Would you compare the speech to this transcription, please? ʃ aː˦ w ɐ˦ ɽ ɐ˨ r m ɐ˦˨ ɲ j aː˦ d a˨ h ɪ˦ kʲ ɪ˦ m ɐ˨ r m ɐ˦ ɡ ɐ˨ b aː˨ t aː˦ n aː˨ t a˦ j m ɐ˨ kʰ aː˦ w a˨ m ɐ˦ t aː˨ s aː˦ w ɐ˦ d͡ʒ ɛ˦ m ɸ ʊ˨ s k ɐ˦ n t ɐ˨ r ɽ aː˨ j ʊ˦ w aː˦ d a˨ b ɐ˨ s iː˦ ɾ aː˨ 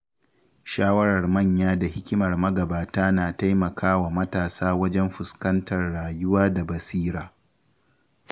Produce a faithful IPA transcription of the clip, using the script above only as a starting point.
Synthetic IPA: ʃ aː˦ w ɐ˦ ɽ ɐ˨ r m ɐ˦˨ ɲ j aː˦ d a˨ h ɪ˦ kʲ ɪ˦ m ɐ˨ r m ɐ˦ ɡ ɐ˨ b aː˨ t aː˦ n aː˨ t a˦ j m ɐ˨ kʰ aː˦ w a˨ m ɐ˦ t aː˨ s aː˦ w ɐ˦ d͡ʒ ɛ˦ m ɸ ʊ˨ s k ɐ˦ n t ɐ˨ r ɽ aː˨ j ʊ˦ w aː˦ d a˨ b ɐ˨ s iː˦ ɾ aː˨